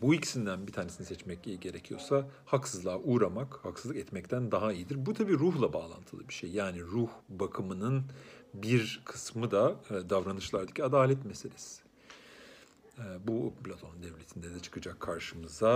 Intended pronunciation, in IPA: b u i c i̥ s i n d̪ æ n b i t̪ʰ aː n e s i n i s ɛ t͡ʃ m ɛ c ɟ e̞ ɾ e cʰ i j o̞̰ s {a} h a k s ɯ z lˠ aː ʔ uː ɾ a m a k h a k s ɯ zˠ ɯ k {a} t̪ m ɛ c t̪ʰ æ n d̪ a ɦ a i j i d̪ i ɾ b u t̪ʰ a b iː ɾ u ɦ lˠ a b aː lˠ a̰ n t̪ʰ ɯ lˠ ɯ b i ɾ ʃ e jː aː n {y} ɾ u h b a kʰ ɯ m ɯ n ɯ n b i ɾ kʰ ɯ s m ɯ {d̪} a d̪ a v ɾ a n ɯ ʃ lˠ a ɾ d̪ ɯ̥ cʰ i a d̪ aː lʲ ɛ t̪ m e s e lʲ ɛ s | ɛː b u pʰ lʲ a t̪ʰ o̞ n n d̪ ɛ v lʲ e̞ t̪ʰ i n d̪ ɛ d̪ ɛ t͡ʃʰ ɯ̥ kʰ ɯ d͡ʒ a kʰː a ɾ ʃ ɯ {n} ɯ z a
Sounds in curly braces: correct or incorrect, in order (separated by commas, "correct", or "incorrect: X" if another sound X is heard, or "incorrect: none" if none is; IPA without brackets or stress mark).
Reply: correct, incorrect: ɛ, incorrect: i, correct, incorrect: m